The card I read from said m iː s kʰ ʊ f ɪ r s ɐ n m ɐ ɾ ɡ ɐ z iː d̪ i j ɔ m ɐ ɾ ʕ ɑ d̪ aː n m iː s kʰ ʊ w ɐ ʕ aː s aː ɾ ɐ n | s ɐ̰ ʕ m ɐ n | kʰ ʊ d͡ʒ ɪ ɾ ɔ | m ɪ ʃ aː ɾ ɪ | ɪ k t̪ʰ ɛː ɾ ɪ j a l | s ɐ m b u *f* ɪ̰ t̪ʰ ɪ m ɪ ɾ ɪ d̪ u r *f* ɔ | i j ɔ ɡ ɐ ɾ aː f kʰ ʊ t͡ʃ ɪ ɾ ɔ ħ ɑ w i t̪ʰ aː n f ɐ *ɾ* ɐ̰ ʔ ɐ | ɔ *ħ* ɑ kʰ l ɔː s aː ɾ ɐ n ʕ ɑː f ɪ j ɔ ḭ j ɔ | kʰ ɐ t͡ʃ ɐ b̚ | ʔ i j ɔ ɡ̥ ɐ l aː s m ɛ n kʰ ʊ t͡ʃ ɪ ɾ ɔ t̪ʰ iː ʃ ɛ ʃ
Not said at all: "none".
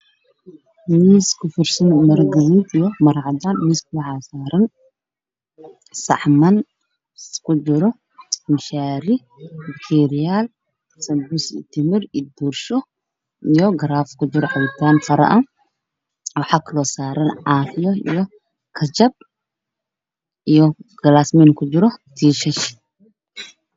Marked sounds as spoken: s, ʃ, ɾ, ħ

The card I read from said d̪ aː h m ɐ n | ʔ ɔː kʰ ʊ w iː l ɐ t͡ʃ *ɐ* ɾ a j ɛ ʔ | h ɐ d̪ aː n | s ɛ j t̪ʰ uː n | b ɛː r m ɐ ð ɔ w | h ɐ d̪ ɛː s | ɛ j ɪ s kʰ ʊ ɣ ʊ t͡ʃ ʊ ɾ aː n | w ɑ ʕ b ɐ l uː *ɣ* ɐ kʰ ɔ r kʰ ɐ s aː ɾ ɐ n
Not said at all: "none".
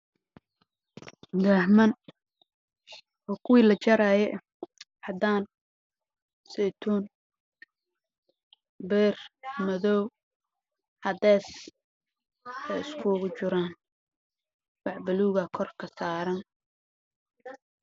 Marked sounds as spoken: ɐ, ɣ

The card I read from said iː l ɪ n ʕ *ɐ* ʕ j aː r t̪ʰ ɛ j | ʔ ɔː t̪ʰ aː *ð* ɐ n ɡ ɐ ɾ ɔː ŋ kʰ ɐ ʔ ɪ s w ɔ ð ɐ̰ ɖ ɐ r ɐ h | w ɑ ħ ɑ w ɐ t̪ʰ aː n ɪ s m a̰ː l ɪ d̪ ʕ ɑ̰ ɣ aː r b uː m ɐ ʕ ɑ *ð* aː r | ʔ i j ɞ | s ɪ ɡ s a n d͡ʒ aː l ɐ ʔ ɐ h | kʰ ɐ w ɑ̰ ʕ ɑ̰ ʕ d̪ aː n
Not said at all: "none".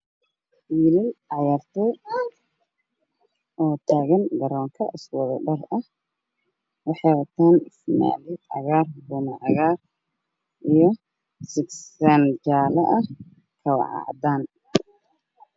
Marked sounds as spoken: ɑ, ɣ, ɣ

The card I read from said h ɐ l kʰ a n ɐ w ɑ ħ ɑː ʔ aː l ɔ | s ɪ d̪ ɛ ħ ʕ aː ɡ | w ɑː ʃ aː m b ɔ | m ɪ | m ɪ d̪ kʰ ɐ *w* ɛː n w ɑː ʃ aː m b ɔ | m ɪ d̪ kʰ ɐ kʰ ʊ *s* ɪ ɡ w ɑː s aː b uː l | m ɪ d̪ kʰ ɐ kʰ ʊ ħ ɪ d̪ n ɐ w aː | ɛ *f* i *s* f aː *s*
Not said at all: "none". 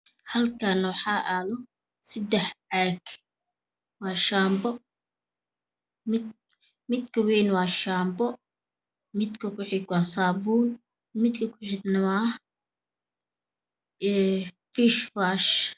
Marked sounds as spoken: w, ħ, f, ʃ, ʃ

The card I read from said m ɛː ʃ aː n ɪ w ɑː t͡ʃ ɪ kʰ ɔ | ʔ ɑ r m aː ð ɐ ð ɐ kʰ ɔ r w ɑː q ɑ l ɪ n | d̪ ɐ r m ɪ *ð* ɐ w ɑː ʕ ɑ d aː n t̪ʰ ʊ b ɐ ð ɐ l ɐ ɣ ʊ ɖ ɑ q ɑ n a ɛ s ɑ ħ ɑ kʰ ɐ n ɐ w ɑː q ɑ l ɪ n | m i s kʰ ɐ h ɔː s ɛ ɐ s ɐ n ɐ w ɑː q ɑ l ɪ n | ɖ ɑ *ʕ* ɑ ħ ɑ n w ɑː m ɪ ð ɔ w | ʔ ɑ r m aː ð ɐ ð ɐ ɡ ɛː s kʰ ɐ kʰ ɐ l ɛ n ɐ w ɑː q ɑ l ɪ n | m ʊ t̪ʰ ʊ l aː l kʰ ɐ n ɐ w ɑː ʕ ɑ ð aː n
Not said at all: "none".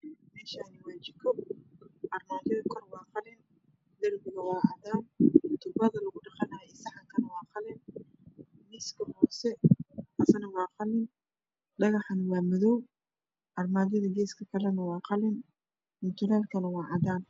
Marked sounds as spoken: ɣ, ɣ

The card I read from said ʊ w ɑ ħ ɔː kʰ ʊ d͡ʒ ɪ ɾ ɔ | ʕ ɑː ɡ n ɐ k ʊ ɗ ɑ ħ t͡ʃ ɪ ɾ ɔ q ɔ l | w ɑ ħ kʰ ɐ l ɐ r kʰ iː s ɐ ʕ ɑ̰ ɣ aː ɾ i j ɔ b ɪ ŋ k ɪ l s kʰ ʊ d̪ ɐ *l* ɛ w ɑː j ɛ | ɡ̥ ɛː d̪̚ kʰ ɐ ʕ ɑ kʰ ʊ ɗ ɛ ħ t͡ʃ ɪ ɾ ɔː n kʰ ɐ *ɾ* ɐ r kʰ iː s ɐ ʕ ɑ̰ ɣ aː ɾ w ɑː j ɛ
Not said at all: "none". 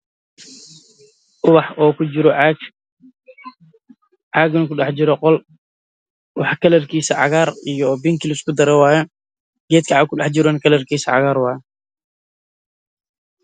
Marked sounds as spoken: ɾ, l

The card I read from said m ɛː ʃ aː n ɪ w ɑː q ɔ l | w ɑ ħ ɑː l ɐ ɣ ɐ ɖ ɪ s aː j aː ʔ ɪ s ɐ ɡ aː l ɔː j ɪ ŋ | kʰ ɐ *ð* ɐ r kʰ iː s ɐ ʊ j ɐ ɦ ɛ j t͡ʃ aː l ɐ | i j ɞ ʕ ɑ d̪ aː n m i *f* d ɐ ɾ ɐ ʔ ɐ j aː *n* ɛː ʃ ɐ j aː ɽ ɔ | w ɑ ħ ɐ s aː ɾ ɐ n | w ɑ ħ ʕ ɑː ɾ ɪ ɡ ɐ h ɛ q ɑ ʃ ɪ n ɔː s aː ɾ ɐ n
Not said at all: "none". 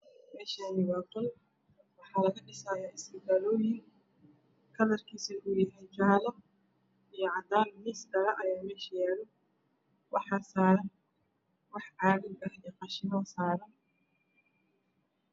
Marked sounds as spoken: ð, s, m

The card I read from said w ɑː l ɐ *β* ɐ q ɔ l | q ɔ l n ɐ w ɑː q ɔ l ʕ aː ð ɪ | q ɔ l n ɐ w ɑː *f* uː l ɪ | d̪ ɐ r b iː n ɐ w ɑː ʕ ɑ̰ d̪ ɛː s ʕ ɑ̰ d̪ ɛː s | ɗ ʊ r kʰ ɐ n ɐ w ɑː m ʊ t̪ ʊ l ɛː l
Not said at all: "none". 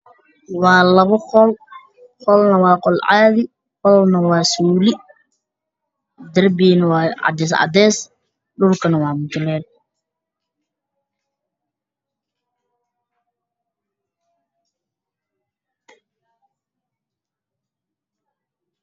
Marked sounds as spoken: β, s

